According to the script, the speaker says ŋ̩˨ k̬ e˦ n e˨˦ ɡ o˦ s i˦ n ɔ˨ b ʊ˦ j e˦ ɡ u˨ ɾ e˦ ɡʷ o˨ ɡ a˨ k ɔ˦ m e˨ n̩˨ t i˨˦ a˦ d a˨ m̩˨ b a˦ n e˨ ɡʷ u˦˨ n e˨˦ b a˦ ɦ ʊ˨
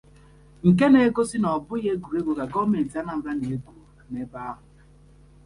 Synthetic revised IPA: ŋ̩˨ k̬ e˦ n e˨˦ ɡ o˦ s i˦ n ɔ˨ b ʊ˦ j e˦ ɡ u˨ ɾ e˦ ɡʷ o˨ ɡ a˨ ɡ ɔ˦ m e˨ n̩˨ t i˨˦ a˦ n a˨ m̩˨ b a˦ n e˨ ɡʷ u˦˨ n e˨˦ b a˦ ɦ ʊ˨